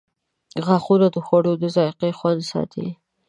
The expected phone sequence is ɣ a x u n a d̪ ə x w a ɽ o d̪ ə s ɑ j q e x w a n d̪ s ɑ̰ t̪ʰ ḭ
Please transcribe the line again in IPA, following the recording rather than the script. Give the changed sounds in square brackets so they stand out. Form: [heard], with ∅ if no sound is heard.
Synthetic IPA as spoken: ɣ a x u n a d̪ ə x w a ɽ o d̪ ə [z] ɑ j q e x w a n d̪ s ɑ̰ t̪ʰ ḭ